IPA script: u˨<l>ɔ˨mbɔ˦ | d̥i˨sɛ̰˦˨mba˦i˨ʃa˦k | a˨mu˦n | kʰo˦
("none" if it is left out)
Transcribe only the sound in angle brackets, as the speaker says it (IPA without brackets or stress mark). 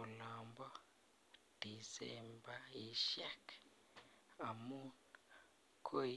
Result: l